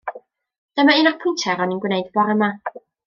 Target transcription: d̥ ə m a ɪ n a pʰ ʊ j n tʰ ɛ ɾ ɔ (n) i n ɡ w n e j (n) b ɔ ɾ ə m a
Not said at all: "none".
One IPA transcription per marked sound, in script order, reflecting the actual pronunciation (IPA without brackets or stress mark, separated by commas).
n, d